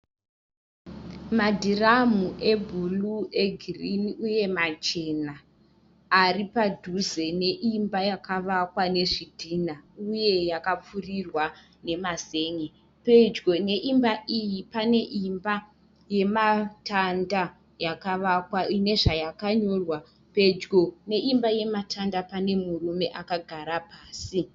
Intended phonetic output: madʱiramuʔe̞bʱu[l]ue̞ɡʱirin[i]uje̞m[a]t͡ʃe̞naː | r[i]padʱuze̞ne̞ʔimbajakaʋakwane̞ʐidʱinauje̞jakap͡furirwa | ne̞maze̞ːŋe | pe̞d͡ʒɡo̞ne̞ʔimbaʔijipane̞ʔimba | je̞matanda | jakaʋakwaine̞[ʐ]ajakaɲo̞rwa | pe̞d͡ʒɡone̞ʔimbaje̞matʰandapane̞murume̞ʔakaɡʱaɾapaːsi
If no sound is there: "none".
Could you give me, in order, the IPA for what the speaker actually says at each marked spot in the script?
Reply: l, i, a, i, ʐ

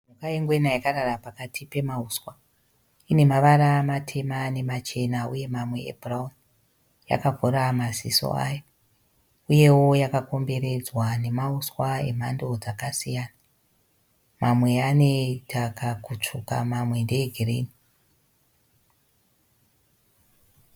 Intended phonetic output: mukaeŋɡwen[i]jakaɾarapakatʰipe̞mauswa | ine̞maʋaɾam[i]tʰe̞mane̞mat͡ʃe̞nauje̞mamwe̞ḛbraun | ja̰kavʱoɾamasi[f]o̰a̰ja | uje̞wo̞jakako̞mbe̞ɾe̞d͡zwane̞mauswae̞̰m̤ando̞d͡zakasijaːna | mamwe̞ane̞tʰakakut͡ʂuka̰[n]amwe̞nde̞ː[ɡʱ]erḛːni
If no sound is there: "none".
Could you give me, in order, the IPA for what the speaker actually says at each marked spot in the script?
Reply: a, a, s, m, ɡʱ

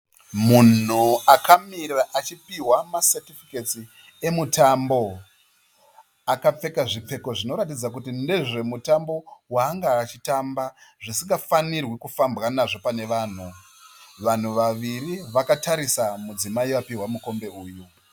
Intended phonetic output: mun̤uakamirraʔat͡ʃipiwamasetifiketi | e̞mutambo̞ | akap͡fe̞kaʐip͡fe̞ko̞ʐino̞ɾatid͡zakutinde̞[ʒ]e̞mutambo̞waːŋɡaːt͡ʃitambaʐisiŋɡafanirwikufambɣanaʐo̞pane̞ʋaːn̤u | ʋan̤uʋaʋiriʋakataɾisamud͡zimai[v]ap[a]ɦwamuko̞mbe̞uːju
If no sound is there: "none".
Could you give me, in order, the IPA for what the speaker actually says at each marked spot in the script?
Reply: ʐ, ʋ, i

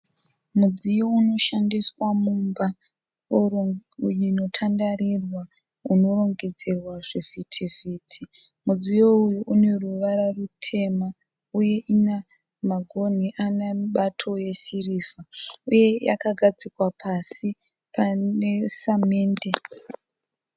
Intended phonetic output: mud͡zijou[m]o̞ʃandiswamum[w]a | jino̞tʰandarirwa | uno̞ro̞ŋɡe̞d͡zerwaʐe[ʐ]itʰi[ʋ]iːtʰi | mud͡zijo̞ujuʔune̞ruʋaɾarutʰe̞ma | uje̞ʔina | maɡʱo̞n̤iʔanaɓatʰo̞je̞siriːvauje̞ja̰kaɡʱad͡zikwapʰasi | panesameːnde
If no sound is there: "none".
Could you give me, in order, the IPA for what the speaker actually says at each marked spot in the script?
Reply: n, b, v, v

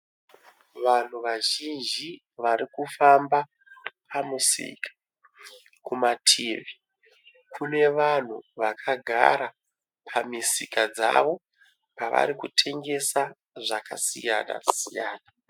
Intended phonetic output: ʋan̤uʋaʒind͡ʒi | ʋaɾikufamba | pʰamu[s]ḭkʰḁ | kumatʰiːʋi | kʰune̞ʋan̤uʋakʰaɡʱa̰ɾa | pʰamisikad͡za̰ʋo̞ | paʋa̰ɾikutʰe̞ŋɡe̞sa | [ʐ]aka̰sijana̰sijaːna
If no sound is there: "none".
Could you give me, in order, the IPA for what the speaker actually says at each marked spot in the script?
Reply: s, ʐ

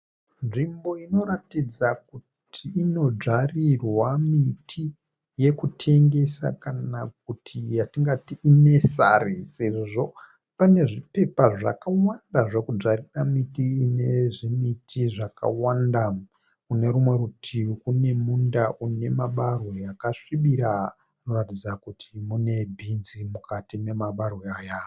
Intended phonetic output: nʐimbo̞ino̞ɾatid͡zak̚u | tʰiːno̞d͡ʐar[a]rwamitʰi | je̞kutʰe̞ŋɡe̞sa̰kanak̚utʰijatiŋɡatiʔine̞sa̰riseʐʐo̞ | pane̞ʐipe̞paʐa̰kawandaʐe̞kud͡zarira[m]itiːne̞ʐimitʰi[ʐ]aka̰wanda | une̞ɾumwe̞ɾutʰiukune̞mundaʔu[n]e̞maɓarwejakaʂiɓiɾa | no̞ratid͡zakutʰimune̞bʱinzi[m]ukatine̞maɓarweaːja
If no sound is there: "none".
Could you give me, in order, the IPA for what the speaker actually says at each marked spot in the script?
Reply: i, m, ʐ, n, m

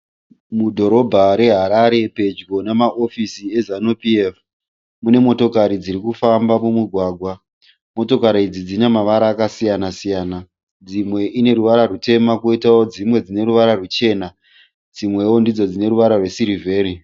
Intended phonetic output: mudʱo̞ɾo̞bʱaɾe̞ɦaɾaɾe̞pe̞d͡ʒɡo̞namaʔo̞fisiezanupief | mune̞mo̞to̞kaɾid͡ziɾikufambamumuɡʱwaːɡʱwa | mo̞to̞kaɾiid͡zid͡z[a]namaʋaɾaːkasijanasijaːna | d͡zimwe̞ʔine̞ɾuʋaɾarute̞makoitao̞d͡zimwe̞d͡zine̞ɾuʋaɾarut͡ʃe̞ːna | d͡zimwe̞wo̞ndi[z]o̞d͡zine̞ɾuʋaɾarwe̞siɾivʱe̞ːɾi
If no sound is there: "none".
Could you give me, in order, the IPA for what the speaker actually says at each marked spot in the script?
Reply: i, d͡z

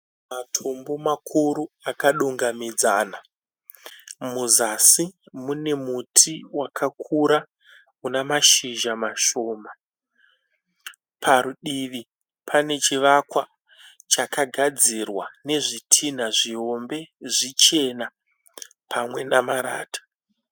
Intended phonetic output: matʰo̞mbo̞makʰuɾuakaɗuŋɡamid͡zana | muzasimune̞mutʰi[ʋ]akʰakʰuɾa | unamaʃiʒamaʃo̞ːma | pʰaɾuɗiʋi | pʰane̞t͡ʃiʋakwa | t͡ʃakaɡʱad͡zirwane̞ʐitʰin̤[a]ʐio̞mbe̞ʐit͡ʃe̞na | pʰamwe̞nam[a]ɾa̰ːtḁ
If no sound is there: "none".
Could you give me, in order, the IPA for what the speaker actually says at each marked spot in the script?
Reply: w, a, a

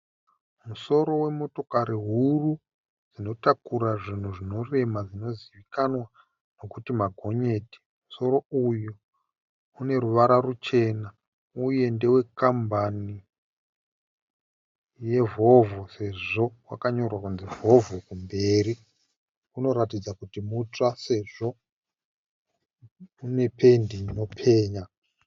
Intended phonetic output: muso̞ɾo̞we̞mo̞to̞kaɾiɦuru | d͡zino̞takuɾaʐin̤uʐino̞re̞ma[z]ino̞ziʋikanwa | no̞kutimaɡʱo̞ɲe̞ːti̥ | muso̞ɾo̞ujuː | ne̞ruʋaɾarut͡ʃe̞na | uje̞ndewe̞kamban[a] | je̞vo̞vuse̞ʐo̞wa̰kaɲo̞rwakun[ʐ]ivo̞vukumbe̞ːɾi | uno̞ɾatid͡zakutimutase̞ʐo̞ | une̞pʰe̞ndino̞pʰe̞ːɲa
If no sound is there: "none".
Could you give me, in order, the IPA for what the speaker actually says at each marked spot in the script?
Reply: d͡z, i, z

